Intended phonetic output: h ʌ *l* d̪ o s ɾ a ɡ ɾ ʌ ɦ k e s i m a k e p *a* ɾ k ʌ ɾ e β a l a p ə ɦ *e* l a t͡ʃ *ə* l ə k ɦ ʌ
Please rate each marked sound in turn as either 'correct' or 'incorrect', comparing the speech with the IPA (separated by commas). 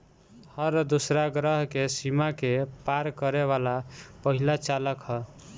incorrect, correct, incorrect, incorrect